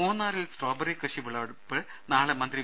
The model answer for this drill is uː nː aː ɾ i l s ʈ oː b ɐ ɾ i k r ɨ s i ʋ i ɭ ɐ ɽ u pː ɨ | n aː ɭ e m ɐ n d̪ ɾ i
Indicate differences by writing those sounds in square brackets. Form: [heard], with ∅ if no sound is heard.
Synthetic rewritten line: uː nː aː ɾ i l s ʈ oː b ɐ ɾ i k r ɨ [ʂ] i ʋ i ɭ ɐ ɽ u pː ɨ | n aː ɭ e m ɐ n d̪ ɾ i